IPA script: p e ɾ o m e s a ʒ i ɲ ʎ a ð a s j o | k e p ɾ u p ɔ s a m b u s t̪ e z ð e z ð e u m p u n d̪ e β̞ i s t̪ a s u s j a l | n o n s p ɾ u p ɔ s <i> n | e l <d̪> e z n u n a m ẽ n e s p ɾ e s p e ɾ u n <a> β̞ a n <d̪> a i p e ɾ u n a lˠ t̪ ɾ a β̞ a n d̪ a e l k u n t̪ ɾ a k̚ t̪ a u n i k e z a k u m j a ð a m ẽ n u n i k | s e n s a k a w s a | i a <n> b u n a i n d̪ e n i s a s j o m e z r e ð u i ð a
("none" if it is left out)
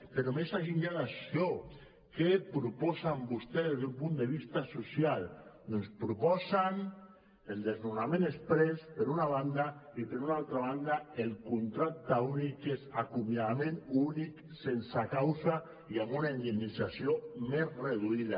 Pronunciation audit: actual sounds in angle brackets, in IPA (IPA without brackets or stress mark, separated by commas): a, d̪, a, d̪, m